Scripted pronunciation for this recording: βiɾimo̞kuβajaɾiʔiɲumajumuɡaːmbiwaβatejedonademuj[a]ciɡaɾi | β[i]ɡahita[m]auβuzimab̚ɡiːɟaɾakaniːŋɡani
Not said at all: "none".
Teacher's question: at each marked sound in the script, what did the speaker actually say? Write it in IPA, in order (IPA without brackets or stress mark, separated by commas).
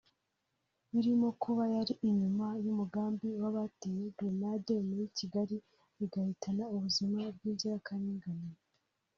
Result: i, i, n